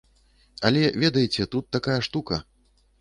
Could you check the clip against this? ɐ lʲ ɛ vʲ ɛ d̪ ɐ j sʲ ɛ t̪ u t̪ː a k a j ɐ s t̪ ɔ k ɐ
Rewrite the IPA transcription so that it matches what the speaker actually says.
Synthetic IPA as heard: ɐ lʲ ɛ vʲ ɛ d̪ ɐ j t͡sʲ ɛ t̪ u t̪ː a k a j ɐ ʂ t̪ u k ɐ